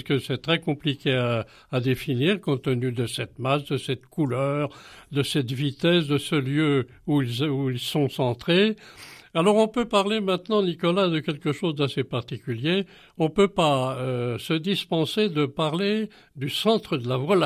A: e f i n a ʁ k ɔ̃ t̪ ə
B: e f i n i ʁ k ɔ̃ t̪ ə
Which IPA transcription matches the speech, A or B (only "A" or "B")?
B